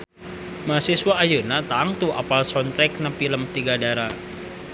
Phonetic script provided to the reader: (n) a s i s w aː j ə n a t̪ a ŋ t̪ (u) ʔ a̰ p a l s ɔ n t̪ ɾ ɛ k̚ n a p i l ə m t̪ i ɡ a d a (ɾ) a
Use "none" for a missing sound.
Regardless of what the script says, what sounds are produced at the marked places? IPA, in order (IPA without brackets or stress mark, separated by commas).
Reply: m, u, ɾ